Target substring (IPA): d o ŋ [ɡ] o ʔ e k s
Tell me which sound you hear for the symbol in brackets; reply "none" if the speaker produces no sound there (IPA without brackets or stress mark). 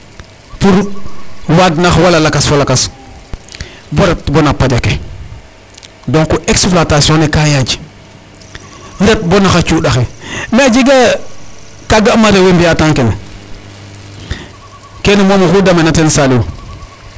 k